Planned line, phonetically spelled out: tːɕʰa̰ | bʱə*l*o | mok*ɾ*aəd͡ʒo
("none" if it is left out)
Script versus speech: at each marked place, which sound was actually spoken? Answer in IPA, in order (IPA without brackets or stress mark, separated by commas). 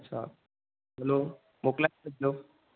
l, l